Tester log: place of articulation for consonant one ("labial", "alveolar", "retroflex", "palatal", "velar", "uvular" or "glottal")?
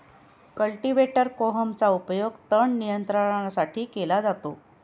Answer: velar